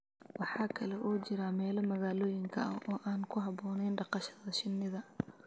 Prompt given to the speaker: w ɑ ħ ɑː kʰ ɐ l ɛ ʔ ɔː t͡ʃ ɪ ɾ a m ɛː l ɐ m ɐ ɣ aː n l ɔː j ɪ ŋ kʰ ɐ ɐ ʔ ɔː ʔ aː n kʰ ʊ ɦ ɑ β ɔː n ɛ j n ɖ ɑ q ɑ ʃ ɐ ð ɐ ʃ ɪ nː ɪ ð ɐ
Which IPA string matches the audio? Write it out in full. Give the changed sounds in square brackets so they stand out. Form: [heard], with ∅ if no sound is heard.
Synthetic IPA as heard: w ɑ ħ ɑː kʰ ɐ l ɛ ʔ ɔː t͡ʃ ɪ ɾ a m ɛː l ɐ m ɐ ɣ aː [∅] l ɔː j ɪ ŋ kʰ ɐ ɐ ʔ ɔː ʔ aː n kʰ ʊ ɦ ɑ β ɔː n ɛ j n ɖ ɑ q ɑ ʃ ɐ ð ɐ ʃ ɪ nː ɪ ð ɐ